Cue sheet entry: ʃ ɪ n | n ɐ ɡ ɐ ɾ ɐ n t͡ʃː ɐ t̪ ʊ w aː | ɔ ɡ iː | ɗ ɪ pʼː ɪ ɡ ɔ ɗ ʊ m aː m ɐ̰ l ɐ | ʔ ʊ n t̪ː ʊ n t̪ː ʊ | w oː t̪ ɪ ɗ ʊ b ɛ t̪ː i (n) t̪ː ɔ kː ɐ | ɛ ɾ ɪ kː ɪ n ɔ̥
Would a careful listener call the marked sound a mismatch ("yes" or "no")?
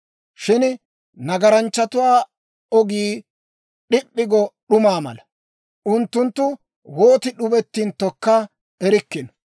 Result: no